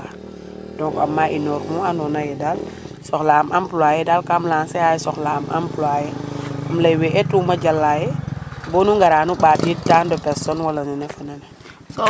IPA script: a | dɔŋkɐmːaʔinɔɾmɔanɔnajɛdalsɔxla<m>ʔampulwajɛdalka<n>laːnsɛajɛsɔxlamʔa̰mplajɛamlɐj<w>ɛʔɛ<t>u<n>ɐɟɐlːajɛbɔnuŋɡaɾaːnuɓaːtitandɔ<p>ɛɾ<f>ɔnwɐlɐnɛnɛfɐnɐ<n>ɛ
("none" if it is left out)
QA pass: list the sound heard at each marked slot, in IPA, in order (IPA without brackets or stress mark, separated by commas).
m, m, w, t, m, p, s, n